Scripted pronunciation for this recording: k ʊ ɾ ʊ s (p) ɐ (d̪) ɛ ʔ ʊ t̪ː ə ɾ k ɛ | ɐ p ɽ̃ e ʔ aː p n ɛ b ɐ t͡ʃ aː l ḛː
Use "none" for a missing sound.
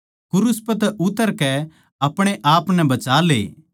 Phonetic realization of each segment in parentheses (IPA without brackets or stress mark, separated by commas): p, t̪